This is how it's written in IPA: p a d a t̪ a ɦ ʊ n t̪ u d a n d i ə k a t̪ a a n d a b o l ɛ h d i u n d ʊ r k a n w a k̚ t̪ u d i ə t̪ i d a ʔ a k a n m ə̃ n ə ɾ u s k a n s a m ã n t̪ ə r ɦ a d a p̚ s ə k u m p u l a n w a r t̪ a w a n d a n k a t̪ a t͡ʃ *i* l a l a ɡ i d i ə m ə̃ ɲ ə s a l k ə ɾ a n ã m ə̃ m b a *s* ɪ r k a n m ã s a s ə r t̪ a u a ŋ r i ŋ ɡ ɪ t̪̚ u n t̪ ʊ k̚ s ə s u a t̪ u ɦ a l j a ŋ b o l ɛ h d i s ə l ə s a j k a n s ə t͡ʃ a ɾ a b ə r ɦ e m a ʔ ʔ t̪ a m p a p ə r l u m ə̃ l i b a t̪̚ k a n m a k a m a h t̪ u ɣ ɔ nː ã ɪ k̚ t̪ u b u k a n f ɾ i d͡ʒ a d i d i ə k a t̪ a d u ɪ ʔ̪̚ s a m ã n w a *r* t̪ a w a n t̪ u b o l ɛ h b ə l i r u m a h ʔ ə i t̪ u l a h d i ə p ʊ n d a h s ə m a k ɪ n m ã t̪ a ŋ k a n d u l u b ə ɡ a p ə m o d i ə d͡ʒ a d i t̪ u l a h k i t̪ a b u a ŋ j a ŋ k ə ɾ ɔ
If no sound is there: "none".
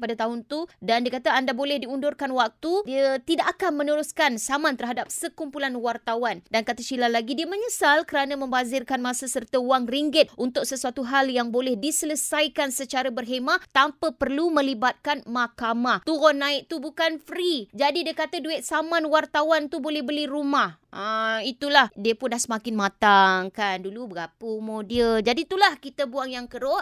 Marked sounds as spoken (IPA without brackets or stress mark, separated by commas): i, z, r